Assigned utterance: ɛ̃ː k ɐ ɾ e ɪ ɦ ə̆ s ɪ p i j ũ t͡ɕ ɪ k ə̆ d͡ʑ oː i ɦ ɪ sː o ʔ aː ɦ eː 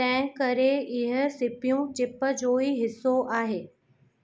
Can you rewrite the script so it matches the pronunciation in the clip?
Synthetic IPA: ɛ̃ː k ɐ ɾ e ɪ ɦ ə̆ s ɪ p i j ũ t͡ɕ ɪ p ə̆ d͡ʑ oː i ɦ ɪ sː o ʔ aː ɦ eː